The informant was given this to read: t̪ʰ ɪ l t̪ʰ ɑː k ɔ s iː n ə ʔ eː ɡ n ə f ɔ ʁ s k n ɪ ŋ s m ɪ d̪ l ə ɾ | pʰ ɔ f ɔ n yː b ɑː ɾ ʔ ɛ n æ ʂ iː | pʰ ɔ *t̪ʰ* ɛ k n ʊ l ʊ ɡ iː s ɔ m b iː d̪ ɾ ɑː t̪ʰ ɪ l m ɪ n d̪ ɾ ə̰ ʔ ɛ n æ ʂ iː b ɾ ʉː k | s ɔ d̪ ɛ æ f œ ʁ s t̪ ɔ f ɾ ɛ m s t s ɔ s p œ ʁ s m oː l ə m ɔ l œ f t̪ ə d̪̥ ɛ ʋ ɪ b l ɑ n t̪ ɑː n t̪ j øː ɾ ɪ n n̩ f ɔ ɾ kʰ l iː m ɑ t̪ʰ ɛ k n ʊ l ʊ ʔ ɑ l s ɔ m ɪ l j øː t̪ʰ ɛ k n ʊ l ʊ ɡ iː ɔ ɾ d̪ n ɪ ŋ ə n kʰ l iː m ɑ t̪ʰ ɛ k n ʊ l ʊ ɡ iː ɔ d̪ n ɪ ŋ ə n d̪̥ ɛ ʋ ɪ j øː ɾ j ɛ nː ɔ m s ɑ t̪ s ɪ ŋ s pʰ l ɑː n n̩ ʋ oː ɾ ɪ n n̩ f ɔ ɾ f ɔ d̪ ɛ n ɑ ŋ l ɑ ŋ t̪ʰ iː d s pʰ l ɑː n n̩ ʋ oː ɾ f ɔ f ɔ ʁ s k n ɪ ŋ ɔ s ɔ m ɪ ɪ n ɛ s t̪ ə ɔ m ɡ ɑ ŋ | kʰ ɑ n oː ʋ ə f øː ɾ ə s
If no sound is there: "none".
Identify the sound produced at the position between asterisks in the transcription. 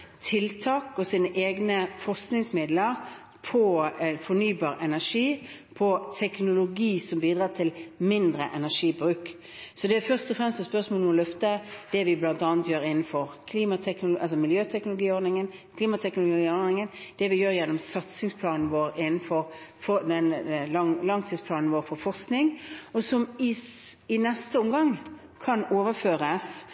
t̪ʰ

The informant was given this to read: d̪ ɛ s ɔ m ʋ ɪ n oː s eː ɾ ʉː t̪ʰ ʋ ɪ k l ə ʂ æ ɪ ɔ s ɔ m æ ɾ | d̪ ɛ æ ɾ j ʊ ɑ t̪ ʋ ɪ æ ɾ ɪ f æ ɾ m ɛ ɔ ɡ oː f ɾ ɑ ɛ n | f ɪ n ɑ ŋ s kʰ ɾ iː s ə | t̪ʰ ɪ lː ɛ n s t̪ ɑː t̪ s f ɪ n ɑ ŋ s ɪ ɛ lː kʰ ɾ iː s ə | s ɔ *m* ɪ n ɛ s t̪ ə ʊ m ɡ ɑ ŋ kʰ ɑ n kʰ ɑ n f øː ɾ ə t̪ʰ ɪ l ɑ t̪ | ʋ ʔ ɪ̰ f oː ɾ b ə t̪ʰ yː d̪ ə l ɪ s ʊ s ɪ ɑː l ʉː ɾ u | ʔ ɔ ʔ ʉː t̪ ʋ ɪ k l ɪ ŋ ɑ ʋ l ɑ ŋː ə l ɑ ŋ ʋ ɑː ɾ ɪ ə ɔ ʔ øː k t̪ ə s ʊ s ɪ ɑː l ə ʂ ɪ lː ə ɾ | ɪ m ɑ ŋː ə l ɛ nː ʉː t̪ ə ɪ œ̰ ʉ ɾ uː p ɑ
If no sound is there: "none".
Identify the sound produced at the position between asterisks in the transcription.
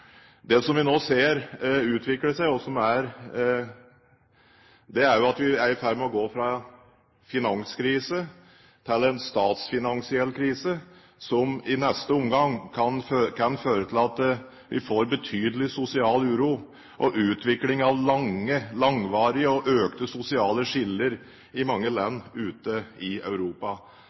m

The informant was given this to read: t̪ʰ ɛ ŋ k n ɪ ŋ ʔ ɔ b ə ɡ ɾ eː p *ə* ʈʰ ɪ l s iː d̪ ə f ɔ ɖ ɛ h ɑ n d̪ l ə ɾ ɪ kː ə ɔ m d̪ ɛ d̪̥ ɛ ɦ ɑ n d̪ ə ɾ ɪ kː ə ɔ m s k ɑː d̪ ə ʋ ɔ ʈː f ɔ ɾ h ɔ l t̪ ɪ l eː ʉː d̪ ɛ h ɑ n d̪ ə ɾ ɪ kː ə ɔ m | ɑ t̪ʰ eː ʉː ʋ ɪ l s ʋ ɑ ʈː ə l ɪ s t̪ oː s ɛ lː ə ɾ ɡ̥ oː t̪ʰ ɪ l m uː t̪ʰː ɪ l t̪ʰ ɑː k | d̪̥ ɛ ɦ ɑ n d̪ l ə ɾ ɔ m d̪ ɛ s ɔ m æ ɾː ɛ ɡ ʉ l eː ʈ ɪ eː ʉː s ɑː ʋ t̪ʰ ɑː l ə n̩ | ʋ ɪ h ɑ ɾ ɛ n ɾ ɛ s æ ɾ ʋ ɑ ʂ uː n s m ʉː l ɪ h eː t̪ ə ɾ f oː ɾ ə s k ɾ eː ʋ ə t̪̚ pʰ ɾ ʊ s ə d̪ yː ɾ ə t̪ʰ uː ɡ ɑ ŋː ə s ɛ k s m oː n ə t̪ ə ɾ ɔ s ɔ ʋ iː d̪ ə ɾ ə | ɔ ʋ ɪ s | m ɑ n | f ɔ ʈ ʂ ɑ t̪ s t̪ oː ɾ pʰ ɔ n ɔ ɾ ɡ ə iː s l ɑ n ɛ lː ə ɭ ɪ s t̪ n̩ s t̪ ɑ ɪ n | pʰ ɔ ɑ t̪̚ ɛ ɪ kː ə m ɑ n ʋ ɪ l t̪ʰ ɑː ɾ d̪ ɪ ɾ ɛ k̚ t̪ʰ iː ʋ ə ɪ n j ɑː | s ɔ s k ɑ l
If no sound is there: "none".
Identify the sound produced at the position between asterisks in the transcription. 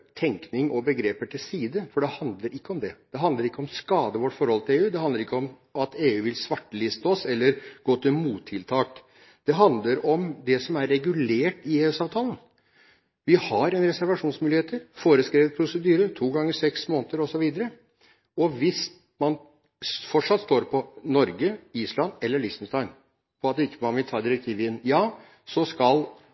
ə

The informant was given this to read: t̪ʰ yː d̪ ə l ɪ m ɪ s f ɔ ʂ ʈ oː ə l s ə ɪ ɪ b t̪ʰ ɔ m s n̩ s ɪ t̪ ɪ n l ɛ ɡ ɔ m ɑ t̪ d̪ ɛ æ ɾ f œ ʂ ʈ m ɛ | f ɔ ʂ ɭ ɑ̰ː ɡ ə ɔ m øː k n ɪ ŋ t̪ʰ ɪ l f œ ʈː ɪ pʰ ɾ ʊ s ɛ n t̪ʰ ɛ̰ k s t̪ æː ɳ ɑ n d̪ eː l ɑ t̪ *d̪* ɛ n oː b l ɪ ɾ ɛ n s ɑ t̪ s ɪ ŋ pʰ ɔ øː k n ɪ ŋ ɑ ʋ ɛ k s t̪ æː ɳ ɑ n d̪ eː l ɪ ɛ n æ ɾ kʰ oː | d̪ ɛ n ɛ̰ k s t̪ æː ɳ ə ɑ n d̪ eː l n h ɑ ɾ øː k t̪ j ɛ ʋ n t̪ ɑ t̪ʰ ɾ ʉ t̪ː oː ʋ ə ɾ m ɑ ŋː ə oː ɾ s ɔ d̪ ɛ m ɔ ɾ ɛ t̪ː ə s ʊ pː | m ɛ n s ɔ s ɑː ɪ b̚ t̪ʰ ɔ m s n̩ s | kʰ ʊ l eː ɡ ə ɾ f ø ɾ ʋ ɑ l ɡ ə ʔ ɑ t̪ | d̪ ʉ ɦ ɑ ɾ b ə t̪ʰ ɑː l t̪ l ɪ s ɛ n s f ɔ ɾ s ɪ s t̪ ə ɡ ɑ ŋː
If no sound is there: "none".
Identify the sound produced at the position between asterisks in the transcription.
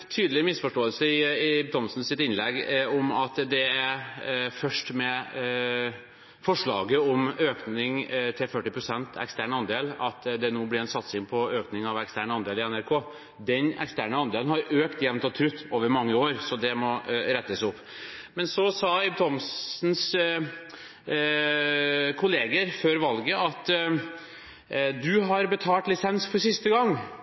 d̪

